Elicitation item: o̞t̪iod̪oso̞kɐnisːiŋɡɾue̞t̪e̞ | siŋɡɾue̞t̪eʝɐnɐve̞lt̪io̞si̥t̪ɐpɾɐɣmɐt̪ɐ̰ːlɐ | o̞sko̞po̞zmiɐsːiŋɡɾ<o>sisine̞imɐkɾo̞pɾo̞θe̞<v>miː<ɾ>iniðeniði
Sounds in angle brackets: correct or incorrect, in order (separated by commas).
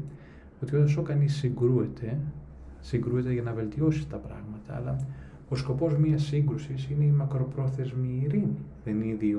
incorrect, incorrect, correct